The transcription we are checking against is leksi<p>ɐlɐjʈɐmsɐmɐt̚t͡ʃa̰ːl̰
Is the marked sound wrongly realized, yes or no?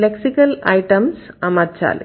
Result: yes